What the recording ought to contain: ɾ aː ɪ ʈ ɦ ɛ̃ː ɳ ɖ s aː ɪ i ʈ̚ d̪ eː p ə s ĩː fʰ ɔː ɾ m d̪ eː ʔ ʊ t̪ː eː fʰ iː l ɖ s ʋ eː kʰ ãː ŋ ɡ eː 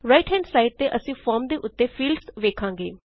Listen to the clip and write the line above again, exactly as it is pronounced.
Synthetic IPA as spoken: ɾ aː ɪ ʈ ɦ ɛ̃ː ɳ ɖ s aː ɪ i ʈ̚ t̪ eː ʔ ə s ĩː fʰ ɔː ɾ m d̪ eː ʔ ʊ t̪ː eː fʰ iː l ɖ s ʋ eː kʰ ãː ŋ ɡ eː